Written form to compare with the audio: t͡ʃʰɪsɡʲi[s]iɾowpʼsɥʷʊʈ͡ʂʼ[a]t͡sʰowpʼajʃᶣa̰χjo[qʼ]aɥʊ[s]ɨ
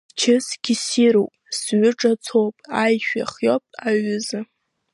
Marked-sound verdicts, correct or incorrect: correct, correct, incorrect, incorrect

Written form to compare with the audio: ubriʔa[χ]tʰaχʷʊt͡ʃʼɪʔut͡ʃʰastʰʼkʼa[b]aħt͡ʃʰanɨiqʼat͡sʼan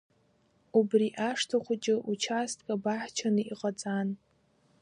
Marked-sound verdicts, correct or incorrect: incorrect, correct

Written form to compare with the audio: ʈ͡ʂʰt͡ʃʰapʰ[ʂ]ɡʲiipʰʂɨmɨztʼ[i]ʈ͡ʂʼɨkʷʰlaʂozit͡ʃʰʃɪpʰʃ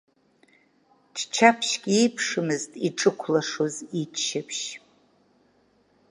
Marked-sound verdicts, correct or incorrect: incorrect, correct

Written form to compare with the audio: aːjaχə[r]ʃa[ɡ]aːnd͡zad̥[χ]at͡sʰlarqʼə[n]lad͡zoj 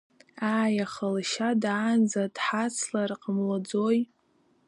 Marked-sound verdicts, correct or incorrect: incorrect, incorrect, incorrect, incorrect

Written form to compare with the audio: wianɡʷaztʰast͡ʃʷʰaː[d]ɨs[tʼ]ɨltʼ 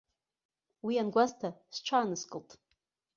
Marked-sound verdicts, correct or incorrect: incorrect, incorrect

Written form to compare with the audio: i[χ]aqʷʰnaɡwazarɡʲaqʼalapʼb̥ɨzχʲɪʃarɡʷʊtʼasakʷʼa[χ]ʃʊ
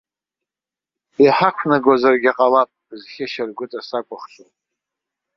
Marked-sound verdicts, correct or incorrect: incorrect, correct

